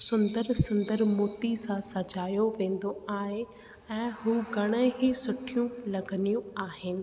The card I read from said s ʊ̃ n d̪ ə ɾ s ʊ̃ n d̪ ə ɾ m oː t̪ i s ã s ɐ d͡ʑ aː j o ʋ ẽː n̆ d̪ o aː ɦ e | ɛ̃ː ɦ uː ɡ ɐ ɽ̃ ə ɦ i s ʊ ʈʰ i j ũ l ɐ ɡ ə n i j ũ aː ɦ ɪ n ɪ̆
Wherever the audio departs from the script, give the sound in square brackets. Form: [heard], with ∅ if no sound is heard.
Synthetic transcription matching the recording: s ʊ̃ n d̪ ə ɾ s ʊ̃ n d̪ ə ɾ m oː t̪ i s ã s ɐ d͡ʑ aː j o ʋ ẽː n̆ d̪ o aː ɦ e | ɛ̃ː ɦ uː ɡ ɐ ɽ̃ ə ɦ i s ʊ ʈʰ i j ũ l ɐ ɡ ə n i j ũ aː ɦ ɪ n ɪ̆